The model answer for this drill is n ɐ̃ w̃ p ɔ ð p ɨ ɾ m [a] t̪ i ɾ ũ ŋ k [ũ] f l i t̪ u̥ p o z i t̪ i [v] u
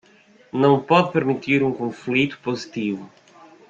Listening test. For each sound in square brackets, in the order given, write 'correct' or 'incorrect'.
incorrect: i, incorrect: õ, correct

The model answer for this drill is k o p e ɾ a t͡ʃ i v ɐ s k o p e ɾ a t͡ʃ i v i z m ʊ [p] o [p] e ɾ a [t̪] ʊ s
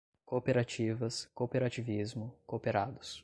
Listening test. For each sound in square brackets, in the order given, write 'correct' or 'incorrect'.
incorrect: k, correct, incorrect: d̪

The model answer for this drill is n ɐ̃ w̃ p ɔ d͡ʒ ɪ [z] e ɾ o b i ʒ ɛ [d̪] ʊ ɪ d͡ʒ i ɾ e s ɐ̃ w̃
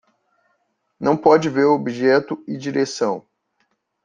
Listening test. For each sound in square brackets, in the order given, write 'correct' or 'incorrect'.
incorrect: v, incorrect: t̪

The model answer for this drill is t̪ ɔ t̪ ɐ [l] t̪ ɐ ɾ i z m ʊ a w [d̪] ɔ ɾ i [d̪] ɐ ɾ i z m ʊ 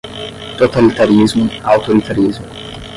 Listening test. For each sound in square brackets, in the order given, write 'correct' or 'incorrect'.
correct, incorrect: t̪, incorrect: t̪

